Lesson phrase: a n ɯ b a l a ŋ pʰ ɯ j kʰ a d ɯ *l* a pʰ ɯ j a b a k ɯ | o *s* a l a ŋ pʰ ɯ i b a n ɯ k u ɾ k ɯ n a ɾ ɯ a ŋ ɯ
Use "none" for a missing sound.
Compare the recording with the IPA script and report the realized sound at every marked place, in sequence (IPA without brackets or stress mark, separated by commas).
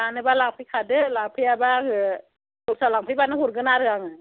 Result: l, s